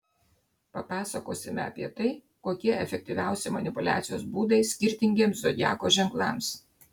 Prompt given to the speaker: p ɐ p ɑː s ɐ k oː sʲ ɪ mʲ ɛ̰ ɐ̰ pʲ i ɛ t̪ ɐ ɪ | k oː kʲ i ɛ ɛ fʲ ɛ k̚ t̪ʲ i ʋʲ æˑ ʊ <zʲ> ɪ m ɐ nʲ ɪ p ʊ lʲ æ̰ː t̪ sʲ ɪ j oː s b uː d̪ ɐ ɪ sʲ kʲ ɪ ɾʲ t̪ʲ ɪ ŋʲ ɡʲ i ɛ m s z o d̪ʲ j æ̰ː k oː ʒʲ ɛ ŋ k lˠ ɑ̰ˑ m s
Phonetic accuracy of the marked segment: incorrect: sʲ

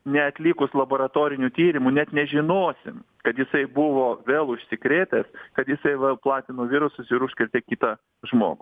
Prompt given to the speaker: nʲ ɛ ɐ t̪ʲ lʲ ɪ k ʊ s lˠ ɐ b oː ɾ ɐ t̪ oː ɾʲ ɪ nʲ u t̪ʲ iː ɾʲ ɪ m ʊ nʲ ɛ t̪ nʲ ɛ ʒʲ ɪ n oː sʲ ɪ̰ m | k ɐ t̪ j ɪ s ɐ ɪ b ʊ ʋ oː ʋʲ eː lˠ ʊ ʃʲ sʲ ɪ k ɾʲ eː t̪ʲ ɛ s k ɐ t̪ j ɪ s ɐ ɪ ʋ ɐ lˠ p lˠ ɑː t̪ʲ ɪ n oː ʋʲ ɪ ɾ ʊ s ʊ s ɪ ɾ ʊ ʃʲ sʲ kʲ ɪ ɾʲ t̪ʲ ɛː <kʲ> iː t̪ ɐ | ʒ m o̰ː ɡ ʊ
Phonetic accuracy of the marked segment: correct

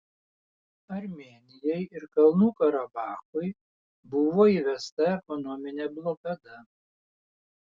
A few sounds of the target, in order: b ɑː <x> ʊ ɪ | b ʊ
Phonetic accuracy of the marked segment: correct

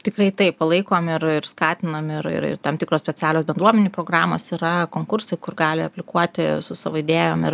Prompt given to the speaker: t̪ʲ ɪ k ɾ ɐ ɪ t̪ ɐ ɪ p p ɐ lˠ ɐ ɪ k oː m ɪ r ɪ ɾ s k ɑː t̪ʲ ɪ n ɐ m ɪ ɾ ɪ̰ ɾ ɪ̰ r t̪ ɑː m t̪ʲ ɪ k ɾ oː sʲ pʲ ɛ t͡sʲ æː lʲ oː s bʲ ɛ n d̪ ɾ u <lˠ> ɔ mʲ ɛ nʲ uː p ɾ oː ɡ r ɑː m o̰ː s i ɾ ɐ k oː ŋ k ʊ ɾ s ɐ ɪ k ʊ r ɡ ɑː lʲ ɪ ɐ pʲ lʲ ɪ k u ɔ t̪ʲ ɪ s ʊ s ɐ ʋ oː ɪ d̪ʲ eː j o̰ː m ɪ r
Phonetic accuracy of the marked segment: incorrect: none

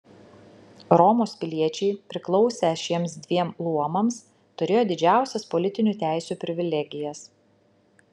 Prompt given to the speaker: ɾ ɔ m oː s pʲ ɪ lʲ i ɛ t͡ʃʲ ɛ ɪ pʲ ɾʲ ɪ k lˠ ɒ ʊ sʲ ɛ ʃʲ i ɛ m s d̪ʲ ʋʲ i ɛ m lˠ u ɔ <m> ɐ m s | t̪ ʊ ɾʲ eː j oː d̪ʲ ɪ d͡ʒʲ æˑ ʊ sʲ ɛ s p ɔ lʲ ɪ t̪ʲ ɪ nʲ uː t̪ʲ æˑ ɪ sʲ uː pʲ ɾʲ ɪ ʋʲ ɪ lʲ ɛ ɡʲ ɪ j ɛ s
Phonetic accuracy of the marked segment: correct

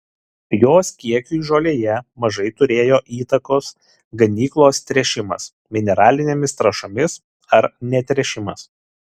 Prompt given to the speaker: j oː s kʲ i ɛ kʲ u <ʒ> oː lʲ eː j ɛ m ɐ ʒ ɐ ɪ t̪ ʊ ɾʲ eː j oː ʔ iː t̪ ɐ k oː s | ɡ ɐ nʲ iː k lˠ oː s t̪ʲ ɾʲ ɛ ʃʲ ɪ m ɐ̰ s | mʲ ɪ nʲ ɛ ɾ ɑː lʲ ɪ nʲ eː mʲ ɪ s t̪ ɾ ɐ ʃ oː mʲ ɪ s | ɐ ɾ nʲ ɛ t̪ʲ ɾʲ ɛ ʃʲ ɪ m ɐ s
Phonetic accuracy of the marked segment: correct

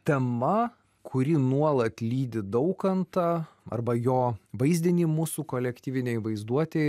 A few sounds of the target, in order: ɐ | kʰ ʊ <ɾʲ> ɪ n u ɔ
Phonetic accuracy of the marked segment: correct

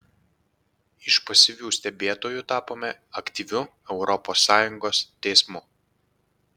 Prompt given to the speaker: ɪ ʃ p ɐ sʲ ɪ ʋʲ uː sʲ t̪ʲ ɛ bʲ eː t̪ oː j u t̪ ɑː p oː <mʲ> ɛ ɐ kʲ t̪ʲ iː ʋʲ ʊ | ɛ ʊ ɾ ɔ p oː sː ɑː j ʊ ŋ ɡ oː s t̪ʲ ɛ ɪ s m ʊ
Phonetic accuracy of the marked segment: correct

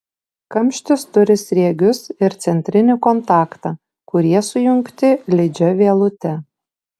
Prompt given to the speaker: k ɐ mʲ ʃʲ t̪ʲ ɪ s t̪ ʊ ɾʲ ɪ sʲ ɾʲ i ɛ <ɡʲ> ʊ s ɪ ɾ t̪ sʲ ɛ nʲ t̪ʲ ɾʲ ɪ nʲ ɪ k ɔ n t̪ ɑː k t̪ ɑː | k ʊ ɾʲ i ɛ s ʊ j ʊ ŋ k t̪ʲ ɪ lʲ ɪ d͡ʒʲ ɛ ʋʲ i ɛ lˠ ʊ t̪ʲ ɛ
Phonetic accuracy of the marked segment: correct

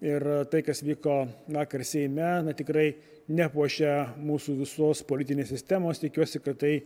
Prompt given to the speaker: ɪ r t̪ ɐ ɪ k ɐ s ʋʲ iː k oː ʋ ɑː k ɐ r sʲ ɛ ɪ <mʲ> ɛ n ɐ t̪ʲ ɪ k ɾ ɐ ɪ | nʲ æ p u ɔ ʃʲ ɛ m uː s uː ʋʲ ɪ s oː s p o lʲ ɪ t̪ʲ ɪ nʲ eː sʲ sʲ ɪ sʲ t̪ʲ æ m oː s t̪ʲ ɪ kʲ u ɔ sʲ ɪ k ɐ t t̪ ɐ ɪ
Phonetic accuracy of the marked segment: correct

